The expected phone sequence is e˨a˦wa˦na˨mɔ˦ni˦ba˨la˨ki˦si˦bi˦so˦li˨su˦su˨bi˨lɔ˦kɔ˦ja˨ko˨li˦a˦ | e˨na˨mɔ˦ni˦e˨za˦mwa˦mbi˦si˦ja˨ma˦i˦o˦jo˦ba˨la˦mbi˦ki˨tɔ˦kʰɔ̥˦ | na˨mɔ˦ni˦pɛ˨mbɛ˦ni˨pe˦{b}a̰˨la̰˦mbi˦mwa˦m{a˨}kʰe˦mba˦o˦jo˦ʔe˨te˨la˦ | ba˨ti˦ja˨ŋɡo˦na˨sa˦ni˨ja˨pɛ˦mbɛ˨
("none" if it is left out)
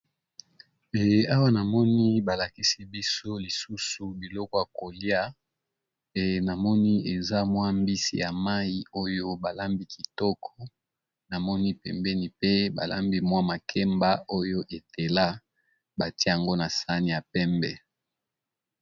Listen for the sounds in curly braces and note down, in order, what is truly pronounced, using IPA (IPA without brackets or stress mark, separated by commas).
b, a˨